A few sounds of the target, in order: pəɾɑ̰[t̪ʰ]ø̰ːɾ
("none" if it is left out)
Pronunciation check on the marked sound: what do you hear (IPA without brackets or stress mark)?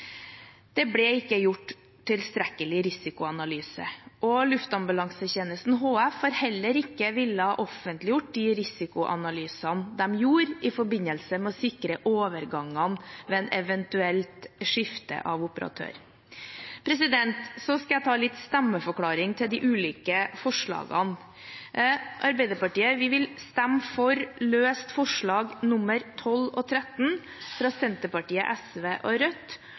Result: t̪ʰ